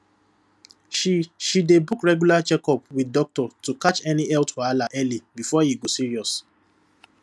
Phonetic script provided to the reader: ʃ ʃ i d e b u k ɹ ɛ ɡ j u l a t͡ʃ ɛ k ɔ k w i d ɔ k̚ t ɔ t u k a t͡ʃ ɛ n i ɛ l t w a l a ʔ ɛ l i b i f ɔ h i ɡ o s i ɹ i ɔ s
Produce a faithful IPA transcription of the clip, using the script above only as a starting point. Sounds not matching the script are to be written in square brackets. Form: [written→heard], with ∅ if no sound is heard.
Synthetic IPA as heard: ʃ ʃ i d e b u k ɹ ɛ ɡ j u l a t͡ʃ ɛ k ɔ [k→p] w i d ɔ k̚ t ɔ t u k a t͡ʃ ɛ n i ɛ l t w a l a ʔ ɛ l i b i f ɔ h i ɡ o s i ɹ i ɔ s